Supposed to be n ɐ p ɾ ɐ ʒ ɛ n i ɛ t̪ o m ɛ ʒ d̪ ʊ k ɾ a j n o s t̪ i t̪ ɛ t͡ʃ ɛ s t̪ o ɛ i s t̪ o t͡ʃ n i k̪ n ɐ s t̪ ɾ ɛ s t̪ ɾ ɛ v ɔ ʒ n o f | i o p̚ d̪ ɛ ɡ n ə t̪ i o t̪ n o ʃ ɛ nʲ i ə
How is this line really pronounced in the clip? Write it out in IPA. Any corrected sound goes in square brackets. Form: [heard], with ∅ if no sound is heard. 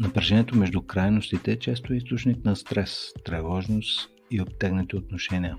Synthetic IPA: n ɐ p ɾ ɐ ʒ ɛ n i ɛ t̪ o m ɛ ʒ d̪ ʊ k ɾ a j n o s t̪ i t̪ ɛ t͡ʃ ɛ s t̪ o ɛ i s t̪ o t͡ʃ n i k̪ n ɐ s t̪ ɾ ɛ s t̪ ɾ ɛ v ɔ ʒ n o [s] | i o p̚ [t̪] ɛ ɡ n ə t̪ i o t̪ n o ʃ ɛ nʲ i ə